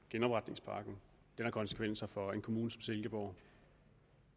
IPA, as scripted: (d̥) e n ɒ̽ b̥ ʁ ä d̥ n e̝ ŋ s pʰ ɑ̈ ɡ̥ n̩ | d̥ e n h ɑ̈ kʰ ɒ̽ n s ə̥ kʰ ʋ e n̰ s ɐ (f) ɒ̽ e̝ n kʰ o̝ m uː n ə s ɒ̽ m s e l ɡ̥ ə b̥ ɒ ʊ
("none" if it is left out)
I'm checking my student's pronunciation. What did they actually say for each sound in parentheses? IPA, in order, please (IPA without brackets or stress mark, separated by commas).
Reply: ɡ̥, f